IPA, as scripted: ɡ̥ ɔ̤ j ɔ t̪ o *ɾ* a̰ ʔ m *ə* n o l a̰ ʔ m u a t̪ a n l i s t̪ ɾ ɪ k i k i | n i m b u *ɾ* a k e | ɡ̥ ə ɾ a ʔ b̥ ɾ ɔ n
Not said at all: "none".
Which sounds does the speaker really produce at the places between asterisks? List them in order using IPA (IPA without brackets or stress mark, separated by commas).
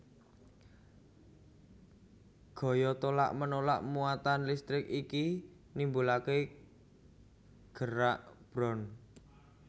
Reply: l, ə, l